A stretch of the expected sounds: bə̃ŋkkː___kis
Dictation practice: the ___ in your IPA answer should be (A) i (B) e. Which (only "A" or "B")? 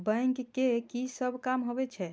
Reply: B